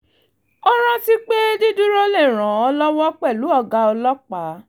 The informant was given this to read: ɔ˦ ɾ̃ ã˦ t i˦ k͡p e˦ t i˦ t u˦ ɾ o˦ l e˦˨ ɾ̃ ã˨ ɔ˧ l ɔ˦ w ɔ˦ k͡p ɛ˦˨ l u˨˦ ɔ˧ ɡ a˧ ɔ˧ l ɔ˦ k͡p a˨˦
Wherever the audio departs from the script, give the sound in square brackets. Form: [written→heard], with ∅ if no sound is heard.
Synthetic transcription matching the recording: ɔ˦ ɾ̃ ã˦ t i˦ k͡p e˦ [t→d] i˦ [t→d] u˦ ɾ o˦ l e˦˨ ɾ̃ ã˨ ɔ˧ l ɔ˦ w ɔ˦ k͡p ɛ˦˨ l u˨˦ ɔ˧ ɡ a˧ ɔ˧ l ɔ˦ k͡p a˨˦